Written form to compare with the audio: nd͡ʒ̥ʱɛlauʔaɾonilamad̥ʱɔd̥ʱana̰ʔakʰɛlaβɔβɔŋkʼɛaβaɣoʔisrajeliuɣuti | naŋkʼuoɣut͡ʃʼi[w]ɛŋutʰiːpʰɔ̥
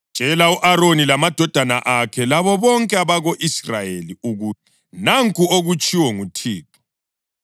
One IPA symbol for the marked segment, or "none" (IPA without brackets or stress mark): w